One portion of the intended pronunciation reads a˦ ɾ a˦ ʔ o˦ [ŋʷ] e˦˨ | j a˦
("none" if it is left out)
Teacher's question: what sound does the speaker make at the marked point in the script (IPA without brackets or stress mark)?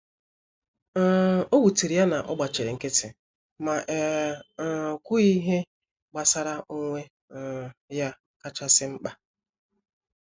ŋʷ